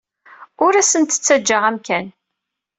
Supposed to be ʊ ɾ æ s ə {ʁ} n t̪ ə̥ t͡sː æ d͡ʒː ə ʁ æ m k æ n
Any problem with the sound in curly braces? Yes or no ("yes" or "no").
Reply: yes